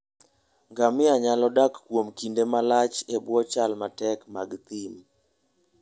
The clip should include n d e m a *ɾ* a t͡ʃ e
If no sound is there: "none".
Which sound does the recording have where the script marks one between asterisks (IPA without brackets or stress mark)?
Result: l